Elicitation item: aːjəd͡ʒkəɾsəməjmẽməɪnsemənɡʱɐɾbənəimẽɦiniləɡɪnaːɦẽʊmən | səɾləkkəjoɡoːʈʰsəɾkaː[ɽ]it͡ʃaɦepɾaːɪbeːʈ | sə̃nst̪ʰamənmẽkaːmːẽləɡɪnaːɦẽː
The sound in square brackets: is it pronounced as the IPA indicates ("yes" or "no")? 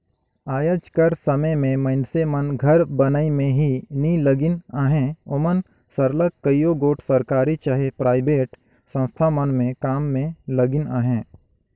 no